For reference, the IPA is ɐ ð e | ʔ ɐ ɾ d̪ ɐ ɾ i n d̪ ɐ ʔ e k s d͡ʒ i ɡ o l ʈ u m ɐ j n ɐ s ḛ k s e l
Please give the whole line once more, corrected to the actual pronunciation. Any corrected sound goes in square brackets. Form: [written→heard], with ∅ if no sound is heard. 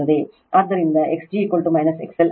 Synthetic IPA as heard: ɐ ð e | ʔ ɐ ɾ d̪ ɐ ɾ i n d̪ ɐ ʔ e k s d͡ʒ i [ɡ→k] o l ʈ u m ɐ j n ɐ s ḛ k s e l

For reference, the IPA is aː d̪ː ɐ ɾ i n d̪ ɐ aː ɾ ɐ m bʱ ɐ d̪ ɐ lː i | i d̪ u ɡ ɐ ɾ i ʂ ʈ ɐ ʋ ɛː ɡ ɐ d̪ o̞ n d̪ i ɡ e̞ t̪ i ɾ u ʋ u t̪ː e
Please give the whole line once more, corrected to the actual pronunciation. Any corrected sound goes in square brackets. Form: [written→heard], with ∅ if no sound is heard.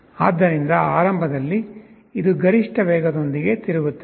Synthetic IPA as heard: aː d̪ː ɐ ɾ i n d̪ ɐ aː ɾ ɐ m bʱ ɐ d̪ ɐ lː i | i d̪ u ɡ ɐ ɾ i ʂ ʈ ɐ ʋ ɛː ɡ ɐ d̪ o̞ n d̪ i ɡ e̞ t̪ i ɾ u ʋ u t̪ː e

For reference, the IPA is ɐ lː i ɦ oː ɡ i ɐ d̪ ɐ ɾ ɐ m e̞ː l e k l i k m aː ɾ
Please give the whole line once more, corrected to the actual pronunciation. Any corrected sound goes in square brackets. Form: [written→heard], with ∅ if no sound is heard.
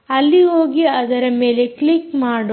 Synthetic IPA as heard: ɐ lː i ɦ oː ɡ i ɐ d̪ ɐ ɾ ɐ m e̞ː l e k l i k m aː [ɾ→ɽ]

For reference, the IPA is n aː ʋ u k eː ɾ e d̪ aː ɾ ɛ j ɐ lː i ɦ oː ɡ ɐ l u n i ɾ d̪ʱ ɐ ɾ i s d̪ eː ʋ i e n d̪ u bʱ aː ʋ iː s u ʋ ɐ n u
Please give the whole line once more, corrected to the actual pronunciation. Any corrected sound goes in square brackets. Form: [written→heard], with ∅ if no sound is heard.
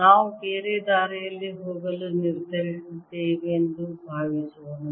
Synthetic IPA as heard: n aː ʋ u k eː ɾ e d̪ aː ɾ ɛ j ɐ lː i ɦ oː ɡ ɐ l u n i ɾ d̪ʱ ɐ ɾ i s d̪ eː ʋ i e n d̪ u bʱ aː ʋ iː s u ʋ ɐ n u

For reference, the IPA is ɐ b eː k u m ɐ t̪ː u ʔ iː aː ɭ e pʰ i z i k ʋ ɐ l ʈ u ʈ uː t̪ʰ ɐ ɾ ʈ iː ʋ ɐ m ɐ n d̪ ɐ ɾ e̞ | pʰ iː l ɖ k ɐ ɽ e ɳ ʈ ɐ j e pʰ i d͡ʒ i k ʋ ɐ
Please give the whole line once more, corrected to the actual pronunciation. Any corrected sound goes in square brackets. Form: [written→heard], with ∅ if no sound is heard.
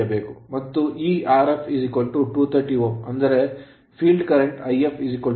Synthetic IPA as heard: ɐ b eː k u m ɐ t̪ː u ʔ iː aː [ɭ→ɾ] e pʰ i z i k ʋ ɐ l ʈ u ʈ uː t̪ʰ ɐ ɾ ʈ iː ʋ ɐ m ɐ n d̪ ɐ ɾ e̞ | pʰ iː l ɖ k ɐ [ɽ→ɾ] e ɳ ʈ ɐ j e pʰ i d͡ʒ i k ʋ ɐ

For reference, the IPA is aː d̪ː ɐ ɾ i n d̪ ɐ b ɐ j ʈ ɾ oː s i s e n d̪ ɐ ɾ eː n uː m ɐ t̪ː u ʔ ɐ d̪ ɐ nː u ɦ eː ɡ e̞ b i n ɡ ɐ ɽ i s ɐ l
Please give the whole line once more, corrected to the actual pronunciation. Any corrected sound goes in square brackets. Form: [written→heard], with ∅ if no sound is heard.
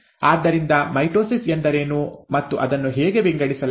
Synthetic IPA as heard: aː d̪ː ɐ ɾ i n d̪ ɐ [b→m] ɐ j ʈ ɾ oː s i s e n d̪ ɐ ɾ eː n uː m ɐ t̪ː u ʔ ɐ d̪ ɐ nː u ɦ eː ɡ e̞ b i [n→ŋ] ɡ ɐ ɽ i s ɐ l

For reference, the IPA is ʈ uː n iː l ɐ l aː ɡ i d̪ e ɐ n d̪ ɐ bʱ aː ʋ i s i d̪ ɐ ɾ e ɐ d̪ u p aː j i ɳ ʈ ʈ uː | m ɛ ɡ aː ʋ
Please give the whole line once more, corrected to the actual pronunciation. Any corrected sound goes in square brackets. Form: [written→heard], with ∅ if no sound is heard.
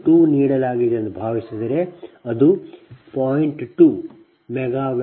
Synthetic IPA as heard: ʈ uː n iː [l→ɽ] ɐ l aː ɡ i d̪ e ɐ n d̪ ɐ bʱ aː ʋ i s i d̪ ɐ ɾ e ɐ d̪ u p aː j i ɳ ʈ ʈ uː | m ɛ ɡ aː ʋ

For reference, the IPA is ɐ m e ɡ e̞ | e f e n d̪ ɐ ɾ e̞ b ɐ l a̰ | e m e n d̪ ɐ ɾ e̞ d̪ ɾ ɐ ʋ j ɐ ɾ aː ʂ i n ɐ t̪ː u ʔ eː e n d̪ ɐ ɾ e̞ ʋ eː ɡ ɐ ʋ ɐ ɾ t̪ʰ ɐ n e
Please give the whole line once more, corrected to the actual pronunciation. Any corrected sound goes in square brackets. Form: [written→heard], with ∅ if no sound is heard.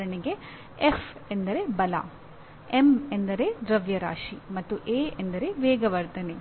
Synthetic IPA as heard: ɐ [m→ɳ] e ɡ e̞ | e f e n d̪ ɐ ɾ e̞ b ɐ l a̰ | e m e n d̪ ɐ ɾ e̞ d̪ ɾ ɐ ʋ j ɐ ɾ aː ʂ i [n→m] ɐ t̪ː u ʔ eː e n d̪ ɐ ɾ e̞ ʋ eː ɡ ɐ ʋ ɐ ɾ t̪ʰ ɐ n e

